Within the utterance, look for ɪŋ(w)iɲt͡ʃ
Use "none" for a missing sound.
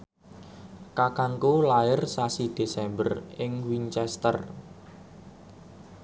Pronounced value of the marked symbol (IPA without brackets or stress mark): w